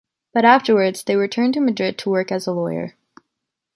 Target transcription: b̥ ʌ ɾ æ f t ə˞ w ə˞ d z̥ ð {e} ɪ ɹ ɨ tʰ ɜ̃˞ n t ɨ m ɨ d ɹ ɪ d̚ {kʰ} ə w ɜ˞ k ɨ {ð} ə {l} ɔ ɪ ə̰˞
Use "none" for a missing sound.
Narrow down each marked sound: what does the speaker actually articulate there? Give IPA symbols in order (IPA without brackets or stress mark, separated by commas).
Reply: e, tʰ, z, l